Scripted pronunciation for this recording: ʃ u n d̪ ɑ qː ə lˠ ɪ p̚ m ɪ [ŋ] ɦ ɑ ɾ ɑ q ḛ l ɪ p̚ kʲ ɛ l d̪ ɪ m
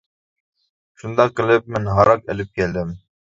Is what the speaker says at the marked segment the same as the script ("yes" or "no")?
no